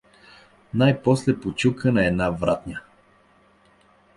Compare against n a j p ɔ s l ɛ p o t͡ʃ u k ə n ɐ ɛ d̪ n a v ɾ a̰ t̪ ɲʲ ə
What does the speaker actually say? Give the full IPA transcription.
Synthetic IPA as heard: n a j p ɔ s l ɛ p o t͡ʃ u k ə n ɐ ɛ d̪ n a v ɾ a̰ t̪ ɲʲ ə